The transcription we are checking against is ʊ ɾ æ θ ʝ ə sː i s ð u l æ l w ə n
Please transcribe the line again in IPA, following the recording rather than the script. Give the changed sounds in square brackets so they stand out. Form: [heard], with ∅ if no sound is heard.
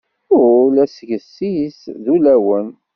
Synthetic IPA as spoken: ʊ [l] æ [s] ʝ ə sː i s ð u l æ [∅] w ə n

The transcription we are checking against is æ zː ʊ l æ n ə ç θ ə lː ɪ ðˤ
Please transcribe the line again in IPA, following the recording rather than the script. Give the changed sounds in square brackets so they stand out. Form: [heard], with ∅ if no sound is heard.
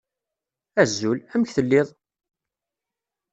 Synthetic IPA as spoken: æ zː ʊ l æ [m] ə ç θ ə lː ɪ ðˤ

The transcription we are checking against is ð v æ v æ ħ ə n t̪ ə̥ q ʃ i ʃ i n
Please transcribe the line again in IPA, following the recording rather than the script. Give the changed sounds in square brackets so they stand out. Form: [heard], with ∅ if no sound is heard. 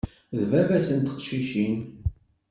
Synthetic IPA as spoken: ð v æ v æ [s] ə n t̪ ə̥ q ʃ i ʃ i n

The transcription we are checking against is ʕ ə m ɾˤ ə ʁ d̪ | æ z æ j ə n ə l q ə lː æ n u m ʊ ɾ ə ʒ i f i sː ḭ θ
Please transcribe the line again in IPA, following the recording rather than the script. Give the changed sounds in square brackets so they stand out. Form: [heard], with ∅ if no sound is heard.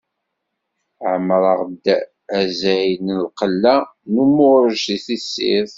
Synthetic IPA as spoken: ʕ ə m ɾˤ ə ʁ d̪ | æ z æ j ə n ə l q ə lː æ n u m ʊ ɾ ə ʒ i [θ] i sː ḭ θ

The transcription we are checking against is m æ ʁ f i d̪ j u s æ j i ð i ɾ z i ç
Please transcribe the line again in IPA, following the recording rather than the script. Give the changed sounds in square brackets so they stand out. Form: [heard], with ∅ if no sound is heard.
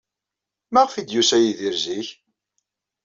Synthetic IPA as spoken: m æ ʁ f i d̪ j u s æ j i ð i ɾ z i ç

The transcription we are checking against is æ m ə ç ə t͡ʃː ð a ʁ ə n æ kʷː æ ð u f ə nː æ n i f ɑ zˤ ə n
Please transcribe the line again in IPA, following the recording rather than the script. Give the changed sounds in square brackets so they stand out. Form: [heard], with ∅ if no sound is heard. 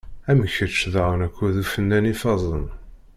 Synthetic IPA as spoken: æ m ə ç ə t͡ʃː ð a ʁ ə n æ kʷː æ ð u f ə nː æ n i f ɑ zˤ ə n

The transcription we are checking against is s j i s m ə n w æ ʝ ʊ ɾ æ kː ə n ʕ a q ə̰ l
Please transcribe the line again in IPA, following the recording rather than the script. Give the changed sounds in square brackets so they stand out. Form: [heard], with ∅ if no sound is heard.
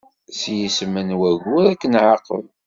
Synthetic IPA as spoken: s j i s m ə n w æ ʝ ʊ ɾ æ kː ə n ʕ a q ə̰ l

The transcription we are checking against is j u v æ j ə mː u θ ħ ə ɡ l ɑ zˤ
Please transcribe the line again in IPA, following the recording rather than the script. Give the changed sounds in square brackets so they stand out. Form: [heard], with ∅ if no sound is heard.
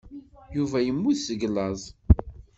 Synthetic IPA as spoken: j u v æ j ə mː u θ [s] ə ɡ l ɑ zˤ

